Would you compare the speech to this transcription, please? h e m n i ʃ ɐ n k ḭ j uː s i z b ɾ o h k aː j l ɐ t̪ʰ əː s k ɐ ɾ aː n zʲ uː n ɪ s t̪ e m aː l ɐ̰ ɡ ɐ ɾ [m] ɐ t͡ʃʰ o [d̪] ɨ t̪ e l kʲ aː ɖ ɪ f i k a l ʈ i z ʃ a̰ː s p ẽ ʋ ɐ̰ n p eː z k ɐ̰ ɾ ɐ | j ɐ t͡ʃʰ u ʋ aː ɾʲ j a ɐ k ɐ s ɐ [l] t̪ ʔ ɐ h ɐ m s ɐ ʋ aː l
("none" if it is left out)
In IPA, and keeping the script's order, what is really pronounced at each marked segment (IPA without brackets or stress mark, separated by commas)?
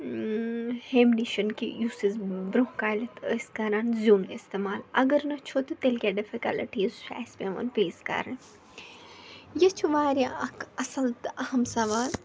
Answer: n, t̪, l